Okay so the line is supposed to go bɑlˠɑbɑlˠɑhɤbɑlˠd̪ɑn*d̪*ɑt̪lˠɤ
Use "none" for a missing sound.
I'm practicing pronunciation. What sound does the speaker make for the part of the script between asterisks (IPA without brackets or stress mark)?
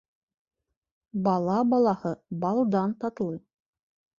t̪